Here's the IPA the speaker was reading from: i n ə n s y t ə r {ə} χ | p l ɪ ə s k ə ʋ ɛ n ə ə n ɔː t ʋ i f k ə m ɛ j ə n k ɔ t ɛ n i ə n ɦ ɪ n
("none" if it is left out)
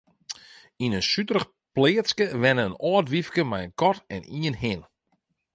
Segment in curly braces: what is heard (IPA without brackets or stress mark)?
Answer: ə